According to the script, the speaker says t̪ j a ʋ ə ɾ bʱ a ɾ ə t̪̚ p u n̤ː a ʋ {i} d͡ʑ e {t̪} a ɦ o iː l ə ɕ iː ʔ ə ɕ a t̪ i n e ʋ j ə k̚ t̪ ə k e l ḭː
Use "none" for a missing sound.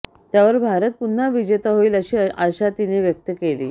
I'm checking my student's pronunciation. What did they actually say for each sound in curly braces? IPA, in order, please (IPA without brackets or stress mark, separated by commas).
i, t̪